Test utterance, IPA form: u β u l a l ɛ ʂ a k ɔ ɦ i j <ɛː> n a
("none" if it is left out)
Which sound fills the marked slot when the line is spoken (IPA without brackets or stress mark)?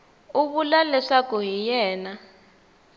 ɛː